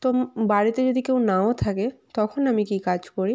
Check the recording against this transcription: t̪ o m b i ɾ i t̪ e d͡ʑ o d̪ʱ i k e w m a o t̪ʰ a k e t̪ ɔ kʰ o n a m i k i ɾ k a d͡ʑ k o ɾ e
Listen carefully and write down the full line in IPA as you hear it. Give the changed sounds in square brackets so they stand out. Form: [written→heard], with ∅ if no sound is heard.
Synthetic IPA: t̪ o m b [i→a] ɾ i t̪ e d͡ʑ o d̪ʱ i k e w [m→n] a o t̪ʰ a k e t̪ ɔ kʰ o n a m i k i [ɾ→∅] k a d͡ʑ k o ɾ [e→i]